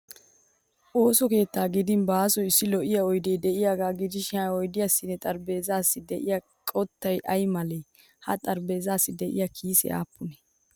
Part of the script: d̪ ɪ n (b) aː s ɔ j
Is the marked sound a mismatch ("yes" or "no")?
no